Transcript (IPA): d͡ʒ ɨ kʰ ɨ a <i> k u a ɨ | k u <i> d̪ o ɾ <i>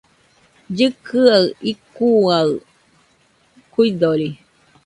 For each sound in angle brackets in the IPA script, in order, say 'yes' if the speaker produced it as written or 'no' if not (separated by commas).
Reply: yes, yes, yes